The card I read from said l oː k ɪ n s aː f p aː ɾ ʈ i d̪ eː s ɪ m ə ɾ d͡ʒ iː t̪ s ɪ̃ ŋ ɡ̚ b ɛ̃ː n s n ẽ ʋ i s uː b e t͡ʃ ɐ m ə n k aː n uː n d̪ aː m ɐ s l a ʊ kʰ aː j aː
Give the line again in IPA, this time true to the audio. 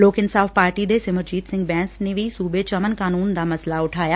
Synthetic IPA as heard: l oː k ɪ n s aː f p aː ɾ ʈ i d̪ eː s ɪ m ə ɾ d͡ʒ iː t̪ s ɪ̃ ŋ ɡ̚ b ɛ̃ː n s n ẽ ʋ i s uː b e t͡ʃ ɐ m ə n k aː n uː n d̪ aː m ɐ s l a ʊ ʈʰ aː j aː